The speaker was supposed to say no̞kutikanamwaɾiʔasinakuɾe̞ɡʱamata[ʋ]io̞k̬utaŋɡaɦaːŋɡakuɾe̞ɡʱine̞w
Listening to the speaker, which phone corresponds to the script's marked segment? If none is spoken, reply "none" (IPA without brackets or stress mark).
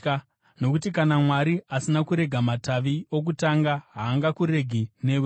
ʋ